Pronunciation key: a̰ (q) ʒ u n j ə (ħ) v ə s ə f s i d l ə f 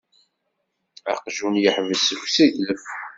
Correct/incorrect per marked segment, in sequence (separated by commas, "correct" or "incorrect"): correct, correct